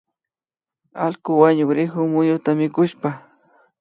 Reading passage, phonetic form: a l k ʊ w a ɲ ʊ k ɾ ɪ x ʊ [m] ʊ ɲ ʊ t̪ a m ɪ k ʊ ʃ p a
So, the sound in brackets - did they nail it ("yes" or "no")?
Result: yes